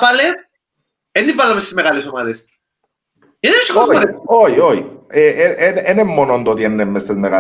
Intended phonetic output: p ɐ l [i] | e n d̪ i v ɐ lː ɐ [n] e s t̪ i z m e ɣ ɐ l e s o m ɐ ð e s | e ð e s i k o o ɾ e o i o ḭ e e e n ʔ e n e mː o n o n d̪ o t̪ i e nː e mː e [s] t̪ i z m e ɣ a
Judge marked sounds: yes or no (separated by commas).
no, no, yes